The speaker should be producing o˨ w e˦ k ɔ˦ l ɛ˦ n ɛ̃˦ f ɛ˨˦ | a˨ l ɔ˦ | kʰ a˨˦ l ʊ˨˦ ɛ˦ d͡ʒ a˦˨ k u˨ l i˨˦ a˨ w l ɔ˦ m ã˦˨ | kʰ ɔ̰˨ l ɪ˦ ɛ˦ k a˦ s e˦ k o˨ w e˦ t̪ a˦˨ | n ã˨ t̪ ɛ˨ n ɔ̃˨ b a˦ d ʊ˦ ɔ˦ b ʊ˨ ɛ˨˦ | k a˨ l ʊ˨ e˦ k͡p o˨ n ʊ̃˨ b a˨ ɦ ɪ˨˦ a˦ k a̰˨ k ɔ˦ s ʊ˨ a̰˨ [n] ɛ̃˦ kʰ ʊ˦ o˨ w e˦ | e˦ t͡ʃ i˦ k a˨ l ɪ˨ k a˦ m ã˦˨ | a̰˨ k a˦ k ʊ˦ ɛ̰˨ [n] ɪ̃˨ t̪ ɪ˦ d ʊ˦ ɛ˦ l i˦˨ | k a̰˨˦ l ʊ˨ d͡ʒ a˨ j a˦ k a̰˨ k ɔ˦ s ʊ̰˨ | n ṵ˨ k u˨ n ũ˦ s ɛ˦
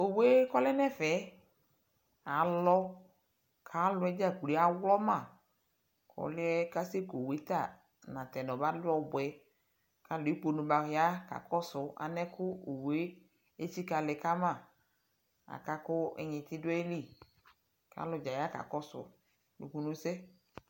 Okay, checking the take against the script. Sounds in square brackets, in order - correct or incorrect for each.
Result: correct, incorrect: ɲ

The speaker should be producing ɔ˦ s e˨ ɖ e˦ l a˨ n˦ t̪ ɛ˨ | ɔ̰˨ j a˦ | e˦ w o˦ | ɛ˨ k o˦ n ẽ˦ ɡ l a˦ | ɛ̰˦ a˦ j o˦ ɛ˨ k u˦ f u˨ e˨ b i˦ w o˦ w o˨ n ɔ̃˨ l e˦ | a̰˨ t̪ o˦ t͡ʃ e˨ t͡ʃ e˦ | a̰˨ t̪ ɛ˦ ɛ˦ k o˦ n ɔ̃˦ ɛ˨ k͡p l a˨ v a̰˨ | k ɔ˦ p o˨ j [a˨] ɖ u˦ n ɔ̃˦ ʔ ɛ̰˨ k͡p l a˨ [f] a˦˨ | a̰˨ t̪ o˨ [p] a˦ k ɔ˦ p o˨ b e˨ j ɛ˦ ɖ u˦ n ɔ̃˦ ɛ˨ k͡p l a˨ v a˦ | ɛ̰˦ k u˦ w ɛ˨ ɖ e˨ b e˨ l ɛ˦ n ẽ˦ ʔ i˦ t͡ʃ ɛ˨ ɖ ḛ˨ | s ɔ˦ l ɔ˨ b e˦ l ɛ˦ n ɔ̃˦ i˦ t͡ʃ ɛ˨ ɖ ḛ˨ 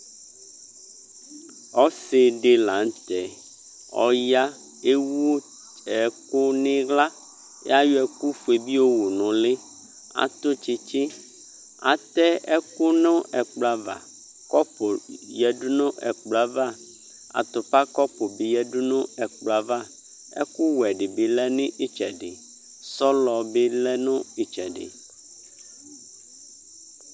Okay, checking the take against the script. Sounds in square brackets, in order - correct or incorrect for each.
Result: incorrect: ɛ˨, incorrect: v, correct

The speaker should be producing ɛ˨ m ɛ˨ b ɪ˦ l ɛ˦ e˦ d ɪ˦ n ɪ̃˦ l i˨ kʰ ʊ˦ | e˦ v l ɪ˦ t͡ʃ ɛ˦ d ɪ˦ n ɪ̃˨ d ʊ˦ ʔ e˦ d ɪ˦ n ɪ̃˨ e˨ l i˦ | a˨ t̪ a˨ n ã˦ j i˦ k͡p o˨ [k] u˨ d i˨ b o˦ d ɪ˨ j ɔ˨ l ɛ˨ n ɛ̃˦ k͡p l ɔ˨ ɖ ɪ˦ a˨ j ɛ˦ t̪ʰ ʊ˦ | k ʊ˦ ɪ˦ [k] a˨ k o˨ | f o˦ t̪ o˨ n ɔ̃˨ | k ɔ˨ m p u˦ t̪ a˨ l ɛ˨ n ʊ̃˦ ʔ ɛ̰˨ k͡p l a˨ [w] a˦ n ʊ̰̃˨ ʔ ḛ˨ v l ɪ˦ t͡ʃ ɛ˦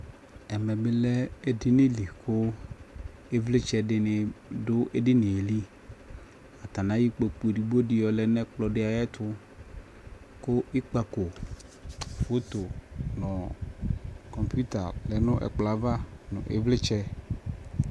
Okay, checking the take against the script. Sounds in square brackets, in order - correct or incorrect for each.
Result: incorrect: k͡p, incorrect: k͡p, incorrect: v

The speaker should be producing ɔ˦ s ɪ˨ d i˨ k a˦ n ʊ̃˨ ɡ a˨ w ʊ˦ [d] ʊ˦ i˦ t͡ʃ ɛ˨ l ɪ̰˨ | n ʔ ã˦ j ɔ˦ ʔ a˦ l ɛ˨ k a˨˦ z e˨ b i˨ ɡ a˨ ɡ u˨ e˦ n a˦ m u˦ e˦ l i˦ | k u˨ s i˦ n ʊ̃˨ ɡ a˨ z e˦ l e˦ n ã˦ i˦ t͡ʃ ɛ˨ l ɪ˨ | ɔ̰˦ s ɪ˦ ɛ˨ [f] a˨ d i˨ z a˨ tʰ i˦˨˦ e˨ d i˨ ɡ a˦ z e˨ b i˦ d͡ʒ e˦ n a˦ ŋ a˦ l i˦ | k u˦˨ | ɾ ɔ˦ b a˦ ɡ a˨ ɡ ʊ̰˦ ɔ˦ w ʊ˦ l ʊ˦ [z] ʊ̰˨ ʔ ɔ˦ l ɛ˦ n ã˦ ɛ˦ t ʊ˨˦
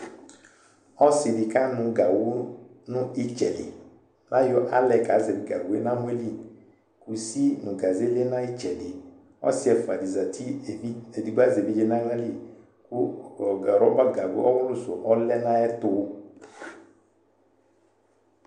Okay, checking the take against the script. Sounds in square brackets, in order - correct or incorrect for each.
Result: incorrect: n, correct, incorrect: s

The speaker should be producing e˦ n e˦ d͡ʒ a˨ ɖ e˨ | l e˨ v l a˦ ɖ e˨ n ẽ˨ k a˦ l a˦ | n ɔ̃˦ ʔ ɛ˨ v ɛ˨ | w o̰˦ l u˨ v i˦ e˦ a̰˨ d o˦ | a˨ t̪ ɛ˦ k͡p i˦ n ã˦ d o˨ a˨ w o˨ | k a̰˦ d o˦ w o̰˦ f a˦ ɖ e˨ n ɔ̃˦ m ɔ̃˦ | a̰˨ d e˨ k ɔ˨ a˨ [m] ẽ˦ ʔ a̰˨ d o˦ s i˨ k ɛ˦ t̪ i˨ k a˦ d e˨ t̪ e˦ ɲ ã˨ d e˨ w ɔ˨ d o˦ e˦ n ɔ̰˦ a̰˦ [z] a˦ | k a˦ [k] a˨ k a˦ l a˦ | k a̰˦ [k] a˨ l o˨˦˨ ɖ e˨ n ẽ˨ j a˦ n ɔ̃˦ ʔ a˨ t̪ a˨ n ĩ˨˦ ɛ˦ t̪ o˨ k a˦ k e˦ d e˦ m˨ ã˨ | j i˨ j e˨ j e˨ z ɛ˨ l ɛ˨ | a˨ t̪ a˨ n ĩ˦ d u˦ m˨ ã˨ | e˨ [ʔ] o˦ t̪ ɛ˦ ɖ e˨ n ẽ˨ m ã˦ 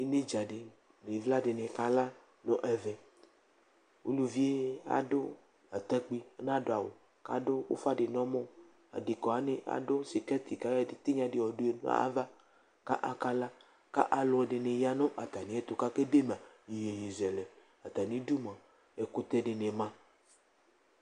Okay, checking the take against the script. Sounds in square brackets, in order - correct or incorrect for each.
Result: incorrect: n, incorrect: v, incorrect: ʔ, incorrect: ʔ, incorrect: k

